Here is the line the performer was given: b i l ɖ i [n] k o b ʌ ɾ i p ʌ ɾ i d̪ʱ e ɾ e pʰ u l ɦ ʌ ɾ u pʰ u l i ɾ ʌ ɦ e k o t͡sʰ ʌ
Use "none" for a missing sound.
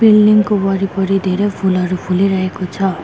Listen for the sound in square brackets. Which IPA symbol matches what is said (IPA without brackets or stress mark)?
ŋ